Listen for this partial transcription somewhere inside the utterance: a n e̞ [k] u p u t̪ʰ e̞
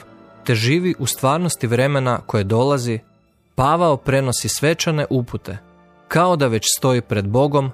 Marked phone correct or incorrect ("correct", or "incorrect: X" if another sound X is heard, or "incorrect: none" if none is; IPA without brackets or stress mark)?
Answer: incorrect: ʔ